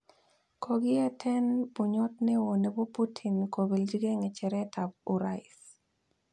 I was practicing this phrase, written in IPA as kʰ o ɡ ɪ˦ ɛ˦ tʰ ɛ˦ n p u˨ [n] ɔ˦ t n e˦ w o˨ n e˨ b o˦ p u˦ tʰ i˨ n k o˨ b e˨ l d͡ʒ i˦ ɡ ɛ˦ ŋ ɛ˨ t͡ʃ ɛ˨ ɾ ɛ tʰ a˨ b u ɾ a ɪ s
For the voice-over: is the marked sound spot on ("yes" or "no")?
no